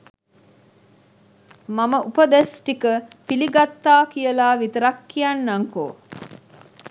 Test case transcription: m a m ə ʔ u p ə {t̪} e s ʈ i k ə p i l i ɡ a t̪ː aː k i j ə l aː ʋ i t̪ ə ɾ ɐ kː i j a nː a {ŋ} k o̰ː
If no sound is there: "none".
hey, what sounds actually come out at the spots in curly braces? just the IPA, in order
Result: d̪, ŋ

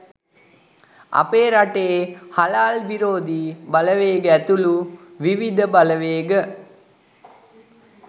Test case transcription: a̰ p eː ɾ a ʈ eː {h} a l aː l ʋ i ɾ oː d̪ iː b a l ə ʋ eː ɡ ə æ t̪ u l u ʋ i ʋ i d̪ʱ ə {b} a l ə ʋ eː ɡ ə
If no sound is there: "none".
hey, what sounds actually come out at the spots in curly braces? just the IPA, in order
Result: h, b

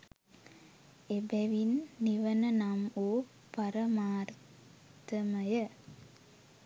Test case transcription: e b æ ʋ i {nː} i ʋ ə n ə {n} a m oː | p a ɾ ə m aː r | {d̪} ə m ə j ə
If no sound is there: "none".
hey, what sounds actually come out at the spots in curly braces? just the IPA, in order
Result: nː, n, t̪

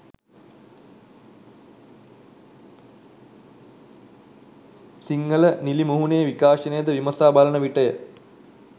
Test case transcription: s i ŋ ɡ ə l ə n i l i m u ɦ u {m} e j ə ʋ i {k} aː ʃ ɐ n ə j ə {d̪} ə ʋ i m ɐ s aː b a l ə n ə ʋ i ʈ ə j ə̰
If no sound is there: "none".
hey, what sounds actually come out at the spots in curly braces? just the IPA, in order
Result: n, k, d̪

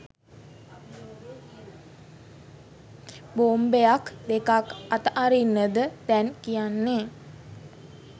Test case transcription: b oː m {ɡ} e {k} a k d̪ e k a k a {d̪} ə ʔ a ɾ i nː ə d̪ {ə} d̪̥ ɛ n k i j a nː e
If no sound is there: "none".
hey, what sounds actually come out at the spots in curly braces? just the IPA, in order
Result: b, none, t̪, ə

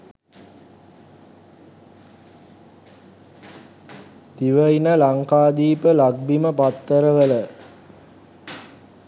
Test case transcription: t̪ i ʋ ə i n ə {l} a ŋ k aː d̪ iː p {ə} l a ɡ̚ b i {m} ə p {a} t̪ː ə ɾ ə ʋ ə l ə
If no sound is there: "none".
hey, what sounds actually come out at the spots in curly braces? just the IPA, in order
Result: l, ə, m, a

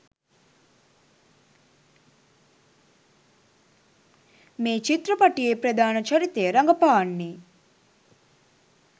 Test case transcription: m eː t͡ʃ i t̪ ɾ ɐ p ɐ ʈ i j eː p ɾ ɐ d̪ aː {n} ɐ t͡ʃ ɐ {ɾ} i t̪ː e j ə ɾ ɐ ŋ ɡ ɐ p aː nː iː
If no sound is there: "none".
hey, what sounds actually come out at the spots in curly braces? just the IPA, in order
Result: n, ɾ

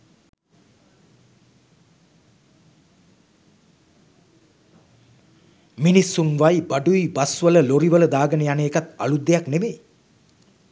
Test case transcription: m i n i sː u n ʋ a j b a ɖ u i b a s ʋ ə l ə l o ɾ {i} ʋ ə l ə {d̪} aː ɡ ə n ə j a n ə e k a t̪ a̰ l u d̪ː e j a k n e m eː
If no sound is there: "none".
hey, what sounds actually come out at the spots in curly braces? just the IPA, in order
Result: i, d̪

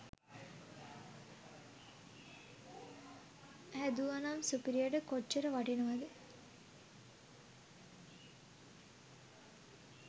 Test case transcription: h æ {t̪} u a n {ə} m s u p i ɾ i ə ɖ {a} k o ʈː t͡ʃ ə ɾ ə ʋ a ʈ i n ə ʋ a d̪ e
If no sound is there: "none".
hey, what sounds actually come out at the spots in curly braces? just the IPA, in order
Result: d̪, a, ə

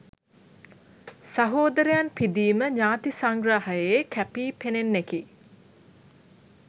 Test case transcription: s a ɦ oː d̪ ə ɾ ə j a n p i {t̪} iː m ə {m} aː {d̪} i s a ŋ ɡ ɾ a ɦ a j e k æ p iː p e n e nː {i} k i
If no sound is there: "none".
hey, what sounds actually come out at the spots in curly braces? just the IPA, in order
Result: d̪, ɲ, t̪, e

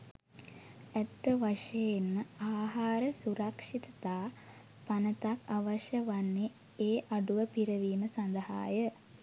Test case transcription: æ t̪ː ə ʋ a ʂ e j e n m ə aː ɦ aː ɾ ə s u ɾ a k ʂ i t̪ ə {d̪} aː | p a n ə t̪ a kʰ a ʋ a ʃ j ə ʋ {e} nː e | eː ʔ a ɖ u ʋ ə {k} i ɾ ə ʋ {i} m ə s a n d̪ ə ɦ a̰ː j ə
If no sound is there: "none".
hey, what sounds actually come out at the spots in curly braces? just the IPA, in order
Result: t̪, a, p, iː

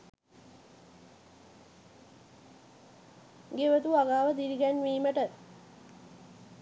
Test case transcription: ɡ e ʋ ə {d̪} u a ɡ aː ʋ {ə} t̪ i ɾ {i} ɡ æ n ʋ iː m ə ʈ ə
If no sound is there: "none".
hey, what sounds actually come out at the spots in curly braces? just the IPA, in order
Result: t̪, ə, i

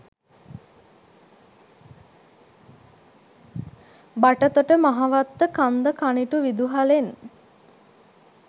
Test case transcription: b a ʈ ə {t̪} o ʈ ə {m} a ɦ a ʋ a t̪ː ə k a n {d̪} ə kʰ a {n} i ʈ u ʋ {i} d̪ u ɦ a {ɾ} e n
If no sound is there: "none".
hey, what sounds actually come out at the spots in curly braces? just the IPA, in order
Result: t̪, m, d̪, n, i, l

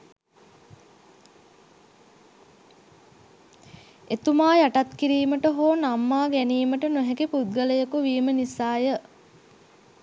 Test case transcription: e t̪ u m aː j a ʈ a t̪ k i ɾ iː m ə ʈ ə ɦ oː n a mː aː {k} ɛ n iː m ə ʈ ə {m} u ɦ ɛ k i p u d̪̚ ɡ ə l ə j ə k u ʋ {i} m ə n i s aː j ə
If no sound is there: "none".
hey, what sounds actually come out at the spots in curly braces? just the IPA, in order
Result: ɡ, n, iː

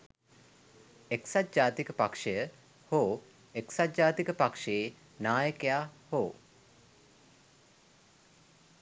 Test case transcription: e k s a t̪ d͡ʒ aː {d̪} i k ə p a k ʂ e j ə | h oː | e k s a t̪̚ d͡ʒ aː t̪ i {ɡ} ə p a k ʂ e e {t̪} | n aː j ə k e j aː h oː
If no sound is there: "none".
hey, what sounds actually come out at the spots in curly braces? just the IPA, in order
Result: t̪, k, none

